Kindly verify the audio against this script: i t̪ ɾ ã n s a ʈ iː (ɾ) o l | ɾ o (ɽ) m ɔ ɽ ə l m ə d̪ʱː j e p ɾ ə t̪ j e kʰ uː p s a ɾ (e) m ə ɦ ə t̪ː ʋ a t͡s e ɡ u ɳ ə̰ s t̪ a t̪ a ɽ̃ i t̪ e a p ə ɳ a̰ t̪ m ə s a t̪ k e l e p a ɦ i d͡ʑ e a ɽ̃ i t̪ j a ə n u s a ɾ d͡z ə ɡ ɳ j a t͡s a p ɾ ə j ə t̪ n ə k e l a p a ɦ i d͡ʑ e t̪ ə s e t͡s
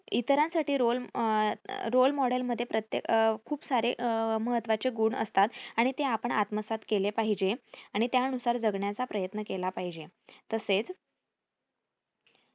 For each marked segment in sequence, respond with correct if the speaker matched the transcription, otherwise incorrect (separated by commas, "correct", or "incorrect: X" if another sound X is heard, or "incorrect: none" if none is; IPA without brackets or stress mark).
correct, incorrect: l, correct